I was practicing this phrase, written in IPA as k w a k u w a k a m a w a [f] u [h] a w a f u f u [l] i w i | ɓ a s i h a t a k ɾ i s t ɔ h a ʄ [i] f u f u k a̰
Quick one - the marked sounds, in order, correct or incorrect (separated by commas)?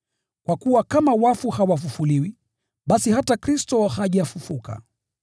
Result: correct, correct, correct, incorrect